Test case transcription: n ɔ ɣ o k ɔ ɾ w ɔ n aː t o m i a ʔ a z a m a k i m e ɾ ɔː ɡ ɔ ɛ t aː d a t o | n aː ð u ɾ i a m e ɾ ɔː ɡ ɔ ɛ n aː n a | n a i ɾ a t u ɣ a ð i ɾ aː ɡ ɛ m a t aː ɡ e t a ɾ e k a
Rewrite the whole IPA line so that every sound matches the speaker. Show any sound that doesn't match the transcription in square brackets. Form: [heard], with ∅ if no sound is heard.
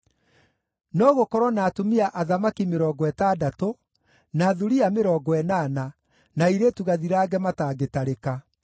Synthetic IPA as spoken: n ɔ ɣ o k ɔ ɾ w ɔ n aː t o m i a ʔ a [ð] a m a k i m e ɾ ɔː ɡ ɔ ɛ t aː d a t o | n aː ð u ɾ i a m e ɾ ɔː ɡ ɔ ɛ n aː n a | n a i ɾ [e] t u ɣ a ð i ɾ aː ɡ ɛ m a t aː ɡ e t a ɾ e k a